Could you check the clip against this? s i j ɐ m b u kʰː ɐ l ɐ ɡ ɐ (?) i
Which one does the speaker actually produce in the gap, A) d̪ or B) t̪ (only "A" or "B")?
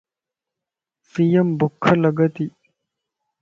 B